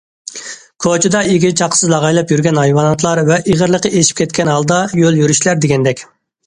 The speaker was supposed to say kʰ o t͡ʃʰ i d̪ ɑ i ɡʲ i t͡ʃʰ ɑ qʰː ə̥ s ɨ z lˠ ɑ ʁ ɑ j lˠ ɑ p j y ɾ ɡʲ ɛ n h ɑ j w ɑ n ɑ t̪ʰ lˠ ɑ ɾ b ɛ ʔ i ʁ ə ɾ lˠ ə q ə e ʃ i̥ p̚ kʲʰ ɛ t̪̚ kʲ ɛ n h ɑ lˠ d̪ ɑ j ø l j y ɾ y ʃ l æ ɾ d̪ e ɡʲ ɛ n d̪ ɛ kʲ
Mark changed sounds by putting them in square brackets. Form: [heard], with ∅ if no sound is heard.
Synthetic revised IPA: kʰ o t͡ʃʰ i d̪ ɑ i ɡʲ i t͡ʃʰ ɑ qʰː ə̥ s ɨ z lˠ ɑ ʁ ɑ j lˠ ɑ p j y ɾ ɡʲ ɛ n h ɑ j w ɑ n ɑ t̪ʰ lˠ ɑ ɾ [v] ɛ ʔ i ʁ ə ɾ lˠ ə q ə e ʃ i̥ p̚ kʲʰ ɛ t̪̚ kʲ ɛ n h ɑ lˠ d̪ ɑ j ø l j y ɾ y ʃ l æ ɾ d̪ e ɡʲ ɛ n d̪ ɛ kʲ